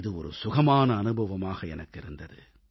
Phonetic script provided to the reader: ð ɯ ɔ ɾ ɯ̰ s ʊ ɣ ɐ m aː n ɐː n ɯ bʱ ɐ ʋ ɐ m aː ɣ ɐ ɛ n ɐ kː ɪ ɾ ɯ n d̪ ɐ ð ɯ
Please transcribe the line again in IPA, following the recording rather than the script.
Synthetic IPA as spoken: ð ɯ ɔ ɾ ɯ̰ s ʊ ɣ ɐ m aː n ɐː n ɯ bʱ ɐ ʋ ɐ m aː ɣ ɐ ɛ n ɐ kː ɪ ɾ ɯ n d̪ ɐ ð ɯ